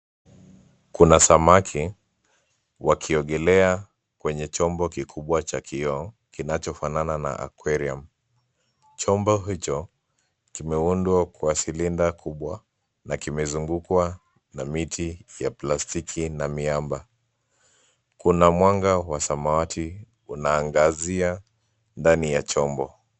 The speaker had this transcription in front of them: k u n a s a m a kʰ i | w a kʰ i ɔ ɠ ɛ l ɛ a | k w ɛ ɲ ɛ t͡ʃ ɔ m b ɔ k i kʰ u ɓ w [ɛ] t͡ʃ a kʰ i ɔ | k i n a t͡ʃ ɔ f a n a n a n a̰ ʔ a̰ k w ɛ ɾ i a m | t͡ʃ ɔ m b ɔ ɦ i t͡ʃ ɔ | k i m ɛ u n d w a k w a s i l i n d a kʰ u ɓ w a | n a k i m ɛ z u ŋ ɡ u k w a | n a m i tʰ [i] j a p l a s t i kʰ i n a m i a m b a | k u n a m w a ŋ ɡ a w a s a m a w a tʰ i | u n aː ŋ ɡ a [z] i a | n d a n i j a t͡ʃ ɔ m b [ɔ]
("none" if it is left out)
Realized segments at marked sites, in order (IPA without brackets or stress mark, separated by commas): a, i, z, ɔ